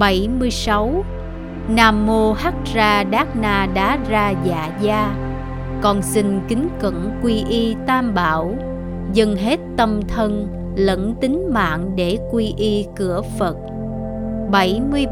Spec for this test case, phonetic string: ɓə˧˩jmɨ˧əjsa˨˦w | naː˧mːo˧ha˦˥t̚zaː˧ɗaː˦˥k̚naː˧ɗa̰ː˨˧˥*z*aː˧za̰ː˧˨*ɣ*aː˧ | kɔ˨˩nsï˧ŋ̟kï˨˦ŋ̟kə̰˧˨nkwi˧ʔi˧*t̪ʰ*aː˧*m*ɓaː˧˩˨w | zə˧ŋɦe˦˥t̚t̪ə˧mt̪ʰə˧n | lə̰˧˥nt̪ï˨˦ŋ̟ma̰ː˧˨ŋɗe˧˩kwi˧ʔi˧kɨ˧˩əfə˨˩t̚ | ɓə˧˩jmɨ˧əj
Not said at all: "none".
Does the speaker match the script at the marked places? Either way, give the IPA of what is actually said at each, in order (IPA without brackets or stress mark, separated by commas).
z, z, t̪, m